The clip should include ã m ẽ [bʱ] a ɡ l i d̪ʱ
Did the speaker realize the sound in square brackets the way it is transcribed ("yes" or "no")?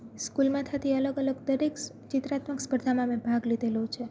yes